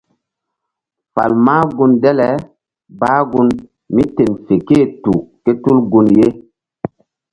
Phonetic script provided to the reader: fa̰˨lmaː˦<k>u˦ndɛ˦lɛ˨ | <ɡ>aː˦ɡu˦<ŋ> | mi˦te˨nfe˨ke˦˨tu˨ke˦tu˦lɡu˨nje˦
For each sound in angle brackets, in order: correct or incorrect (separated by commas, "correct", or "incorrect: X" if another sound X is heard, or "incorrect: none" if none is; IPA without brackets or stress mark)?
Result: incorrect: ɡ, incorrect: b, incorrect: n